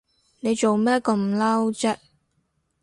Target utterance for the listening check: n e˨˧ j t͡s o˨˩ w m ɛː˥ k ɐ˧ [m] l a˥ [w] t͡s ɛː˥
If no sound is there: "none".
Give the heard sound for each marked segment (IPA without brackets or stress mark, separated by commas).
m, w